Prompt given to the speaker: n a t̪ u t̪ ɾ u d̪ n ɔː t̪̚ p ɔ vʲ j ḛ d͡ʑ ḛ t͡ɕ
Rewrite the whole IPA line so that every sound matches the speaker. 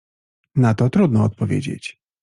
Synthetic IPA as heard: n a t̪ ɔ t̪ ɾ u d̪ n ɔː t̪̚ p ɔ vʲ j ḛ d͡ʑ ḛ t͡ɕ

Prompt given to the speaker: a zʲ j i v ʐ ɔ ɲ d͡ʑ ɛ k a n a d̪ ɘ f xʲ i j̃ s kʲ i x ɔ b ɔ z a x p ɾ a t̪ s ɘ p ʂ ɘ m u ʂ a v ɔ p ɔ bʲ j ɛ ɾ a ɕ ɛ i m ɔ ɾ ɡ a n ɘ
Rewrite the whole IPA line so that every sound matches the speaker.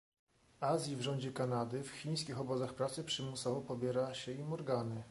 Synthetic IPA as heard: a zʲ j i v ʐ ɔ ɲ d͡ʑ ɛ k a n a d̪ ɘ f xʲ i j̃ s kʲ i x ɔ b ɔ z a x p ɾ a t̪ s ɘ p ʂ ɘ m u s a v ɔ p ɔ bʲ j ɛ ɾ a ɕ ɛ i m ɔ ɾ ɡ a n ɘ

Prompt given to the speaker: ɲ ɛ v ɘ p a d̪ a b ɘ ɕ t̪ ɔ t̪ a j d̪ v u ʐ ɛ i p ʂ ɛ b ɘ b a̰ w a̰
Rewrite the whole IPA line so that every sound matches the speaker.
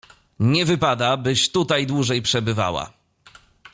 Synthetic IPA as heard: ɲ ɛ v ɘ p a d̪ a b ɘ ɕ t̪ u t̪ a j d̪ w u ʐ ɛ j p ʂ ɛ b ɘ v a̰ w a̰

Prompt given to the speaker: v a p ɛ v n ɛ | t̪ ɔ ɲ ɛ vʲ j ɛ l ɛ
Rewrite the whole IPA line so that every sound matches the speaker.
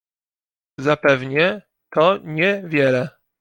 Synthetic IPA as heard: z a p ɛ v ɲ ɛ | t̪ ɔ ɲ ɛ vʲ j ɛ l ɛ

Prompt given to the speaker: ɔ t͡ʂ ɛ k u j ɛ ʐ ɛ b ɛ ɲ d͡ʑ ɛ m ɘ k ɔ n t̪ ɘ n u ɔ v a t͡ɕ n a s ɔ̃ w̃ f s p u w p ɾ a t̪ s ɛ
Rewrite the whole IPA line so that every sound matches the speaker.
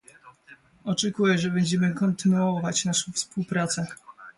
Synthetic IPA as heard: ɔ t͡ʂ ɛ k u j ɛ ʐ ɛ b ɛ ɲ d͡ʑ ɛ m ɘ k ɔ n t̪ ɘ n u ɔ v a t͡ɕ n a ʂ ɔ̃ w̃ f s p u w p ɾ a t̪ s ɛ

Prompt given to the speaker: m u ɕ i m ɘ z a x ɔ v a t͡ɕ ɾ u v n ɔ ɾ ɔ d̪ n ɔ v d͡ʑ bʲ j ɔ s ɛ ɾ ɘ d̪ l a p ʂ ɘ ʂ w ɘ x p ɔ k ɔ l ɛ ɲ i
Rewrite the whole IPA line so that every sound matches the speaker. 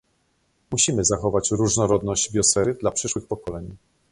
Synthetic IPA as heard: m u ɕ i m ɘ z a x ɔ v a t͡ɕ ɾ u ʐ n ɔ ɾ ɔ d̪ n ɔ ʑ d͡ʑ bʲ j ɔ s ɛ ɾ ɘ d̪ l a p ʂ ɘ ʂ w ɘ x p ɔ k ɔ l ɛ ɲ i

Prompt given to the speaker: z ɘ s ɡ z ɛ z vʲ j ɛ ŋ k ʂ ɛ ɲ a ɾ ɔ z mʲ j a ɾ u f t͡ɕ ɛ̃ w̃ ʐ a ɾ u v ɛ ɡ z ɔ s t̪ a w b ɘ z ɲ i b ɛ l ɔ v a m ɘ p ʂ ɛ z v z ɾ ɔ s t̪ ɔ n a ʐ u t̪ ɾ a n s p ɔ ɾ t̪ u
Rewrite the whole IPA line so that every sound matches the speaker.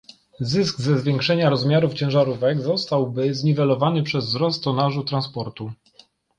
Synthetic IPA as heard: z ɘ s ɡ z ɛ z vʲ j ɛ ŋ k ʂ ɛ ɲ a ɾ ɔ z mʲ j a ɾ u f t͡ɕ ɛ̃ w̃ ʐ a ɾ u v ɛ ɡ z ɔ s t̪ a w b ɘ z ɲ i v ɛ l ɔ v a n ɘ p ʂ ɛ z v z ɾ ɔ s t̪ ɔ n a ʐ u t̪ ɾ a n s p ɔ ɾ t̪ u

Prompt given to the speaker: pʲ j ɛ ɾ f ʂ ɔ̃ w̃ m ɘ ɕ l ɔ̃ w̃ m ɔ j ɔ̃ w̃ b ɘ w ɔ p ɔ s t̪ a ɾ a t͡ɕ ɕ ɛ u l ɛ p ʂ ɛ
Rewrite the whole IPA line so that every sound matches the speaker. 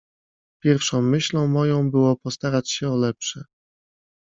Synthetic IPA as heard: pʲ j ɛ ɾ f ʂ ɔ̃ w̃ m ɘ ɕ l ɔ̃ w̃ m ɔ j ɔ̃ w̃ b ɘ w ɔ p ɔ s t̪ a ɾ a t͡ɕ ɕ ɛ ɔ l ɛ p ʂ ɛ

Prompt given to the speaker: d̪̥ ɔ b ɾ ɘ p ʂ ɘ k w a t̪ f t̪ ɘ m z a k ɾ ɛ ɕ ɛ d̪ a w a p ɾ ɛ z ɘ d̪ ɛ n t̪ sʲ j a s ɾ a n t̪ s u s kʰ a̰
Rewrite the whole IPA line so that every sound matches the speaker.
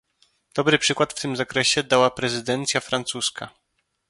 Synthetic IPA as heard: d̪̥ ɔ b ɾ ɘ p ʂ ɘ k w a t̪ f t̪ ɘ m z a k ɾ ɛ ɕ ɛ d̪ a w a p ɾ ɛ z ɘ d̪ ɛ n t̪ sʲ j a f ɾ a n t̪ s u s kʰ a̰

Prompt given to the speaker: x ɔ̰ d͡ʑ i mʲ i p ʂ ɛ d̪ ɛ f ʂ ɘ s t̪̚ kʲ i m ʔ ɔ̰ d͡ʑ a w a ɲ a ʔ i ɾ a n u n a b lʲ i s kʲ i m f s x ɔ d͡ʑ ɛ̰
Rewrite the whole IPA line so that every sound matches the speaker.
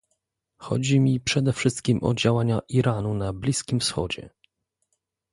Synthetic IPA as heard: x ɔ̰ d͡ʑ i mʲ i p ʂ ɛ d̪ ɛ f ʂ ɘ s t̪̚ kʲ i m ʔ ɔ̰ d͡ʑ a w a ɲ a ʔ i ɾ a n u n a b lʲ i s kʲ i m f s x ɔ d͡ʑ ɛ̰

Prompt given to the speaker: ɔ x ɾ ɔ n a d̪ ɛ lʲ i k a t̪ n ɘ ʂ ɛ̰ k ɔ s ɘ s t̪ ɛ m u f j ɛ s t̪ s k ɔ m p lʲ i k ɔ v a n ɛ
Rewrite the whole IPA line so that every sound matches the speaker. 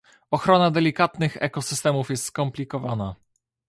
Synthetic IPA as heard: ɔ x ɾ ɔ n a d̪ ɛ lʲ i k a t̪ n ɘ x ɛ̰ k ɔ s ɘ s t̪ ɛ m u f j ɛ s t̪ s k ɔ m p lʲ i k ɔ v a n a

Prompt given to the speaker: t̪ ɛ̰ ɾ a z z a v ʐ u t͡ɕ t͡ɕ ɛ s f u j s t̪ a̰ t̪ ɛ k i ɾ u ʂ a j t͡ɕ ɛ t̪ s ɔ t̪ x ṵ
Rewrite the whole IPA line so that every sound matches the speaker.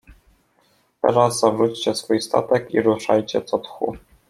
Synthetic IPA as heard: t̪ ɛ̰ ɾ a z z a v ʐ u t͡ɕ t͡ɕ ɛ s f u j s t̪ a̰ t̪ ɛ k i ɾ u ʂ a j t͡ɕ ɛ t̪ s ɔ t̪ x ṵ

